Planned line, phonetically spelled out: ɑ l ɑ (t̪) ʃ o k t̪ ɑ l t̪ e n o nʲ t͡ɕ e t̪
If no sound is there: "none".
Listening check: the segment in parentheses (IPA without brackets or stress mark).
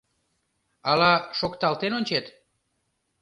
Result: none